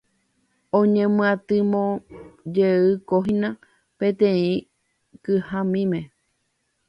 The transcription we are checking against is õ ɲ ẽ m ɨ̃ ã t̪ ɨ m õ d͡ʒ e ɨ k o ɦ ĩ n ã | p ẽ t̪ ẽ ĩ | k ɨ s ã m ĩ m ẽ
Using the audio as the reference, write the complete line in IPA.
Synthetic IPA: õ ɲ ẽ m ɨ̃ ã t̪ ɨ m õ d͡ʒ e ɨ k o ɦ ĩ n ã | p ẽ t̪ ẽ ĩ | k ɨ h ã m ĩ m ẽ